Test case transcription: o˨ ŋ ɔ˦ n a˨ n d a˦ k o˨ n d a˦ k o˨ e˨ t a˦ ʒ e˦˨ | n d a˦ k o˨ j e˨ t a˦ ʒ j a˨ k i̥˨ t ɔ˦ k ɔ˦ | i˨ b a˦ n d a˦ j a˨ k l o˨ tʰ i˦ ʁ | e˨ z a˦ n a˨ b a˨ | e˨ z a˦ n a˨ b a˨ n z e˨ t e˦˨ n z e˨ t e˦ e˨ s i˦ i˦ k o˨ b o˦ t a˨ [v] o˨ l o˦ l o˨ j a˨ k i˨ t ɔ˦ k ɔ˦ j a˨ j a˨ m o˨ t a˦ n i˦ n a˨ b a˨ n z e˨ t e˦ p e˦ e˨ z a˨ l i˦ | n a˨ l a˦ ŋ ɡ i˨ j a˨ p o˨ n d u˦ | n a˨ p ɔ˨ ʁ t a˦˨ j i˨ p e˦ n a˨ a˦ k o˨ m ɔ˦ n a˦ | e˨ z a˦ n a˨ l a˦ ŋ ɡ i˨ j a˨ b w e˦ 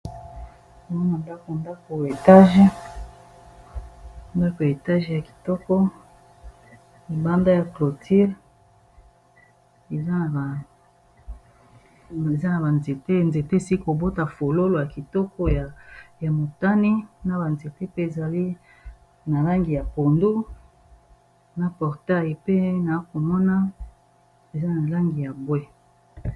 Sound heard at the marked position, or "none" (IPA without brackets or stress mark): f